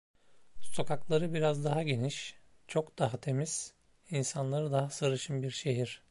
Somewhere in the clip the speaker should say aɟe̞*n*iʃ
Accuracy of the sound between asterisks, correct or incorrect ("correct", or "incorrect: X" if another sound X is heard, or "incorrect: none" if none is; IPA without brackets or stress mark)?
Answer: correct